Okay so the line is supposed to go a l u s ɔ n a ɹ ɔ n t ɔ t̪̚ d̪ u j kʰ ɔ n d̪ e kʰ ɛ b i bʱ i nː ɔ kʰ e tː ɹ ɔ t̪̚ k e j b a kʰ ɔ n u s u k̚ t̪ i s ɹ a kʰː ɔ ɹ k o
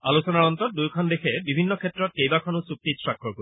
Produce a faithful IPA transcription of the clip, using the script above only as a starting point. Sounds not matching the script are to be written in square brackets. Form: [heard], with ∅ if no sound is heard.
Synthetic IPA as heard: a l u s ɔ n a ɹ ɔ n t ɔ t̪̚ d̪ u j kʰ ɔ n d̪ e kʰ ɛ b i bʱ i nː ɔ kʰ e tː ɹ ɔ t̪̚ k e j b a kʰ ɔ n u s u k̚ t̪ i s ɹ a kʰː ɔ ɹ k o